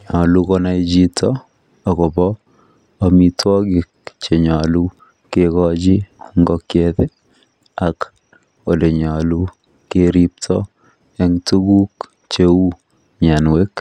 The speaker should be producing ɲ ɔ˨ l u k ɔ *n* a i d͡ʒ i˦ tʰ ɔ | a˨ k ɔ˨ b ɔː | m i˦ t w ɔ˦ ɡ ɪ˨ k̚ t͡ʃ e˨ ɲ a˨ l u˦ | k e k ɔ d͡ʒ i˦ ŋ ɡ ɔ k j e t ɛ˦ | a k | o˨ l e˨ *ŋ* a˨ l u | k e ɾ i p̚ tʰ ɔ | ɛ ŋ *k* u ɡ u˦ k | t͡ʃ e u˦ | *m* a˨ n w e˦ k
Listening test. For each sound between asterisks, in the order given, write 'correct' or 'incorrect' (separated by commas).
correct, incorrect, incorrect, incorrect